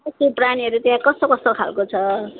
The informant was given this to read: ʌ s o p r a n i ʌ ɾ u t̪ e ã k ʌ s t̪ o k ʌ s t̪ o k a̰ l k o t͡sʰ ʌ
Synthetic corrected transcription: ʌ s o p r a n i ʌ ɾ u t̪ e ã k ʌ s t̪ o k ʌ s t̪ o kʰ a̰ l k o t͡sʰ ʌ